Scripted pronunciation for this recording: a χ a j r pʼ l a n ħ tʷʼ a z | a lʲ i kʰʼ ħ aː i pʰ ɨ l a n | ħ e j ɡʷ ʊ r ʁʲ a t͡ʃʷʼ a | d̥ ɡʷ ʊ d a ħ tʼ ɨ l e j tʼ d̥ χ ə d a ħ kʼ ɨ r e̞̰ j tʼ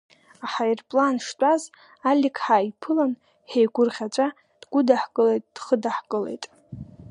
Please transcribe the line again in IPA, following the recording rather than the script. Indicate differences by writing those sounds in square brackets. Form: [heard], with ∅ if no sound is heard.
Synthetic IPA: a [ħ] a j r pʼ l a n [ʂ] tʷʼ a z | a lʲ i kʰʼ ħ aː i pʰ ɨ l a n | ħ e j ɡʷ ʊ r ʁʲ a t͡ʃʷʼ a | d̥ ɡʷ ʊ d a ħ [kʼ] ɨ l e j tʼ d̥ χ ə d a ħ kʼ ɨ [l] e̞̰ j tʼ